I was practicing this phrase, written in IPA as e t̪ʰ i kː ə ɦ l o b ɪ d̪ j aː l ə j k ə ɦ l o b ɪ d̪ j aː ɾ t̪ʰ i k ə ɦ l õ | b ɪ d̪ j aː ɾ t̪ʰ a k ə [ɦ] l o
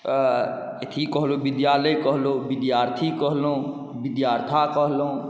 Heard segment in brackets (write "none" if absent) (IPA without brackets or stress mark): ɦ